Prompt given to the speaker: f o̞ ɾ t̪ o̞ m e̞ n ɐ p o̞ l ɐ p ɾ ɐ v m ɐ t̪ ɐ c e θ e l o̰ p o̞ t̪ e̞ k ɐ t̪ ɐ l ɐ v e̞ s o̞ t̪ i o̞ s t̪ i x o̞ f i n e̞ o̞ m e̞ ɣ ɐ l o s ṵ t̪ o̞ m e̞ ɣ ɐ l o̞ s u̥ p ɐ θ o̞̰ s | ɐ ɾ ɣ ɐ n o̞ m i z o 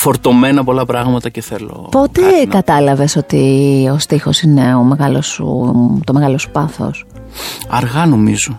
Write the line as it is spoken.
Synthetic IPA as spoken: f o̞ ɾ t̪ o̞ m e̞ n ɐ p o̞ l ɐ p ɾ ɐ ɣ m ɐ t̪ ɐ c e θ e l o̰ p o̞ t̪ e̞ k ɐ t̪ ɐ l ɐ v e̞ s o̞ t̪ i o̞ s t̪ i x o̞ s i n e̞ o̞ m e̞ ɣ ɐ l o s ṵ t̪ o̞ m e̞ ɣ ɐ l o̞ s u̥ p ɐ θ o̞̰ s | ɐ ɾ ɣ ɐ n o̞ m i z o